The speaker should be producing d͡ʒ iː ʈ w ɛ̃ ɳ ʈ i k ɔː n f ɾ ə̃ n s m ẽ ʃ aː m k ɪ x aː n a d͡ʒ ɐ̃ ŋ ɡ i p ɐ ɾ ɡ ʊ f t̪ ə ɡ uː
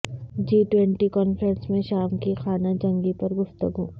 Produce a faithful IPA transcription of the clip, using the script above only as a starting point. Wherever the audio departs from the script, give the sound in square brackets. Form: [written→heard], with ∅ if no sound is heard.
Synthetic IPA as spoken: d͡ʒ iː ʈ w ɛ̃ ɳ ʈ i k ɔː n f ɾ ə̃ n s m ẽ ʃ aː m k [ɪ→i] x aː n a d͡ʒ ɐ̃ ŋ ɡ i p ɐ ɾ ɡ ʊ f t̪ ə ɡ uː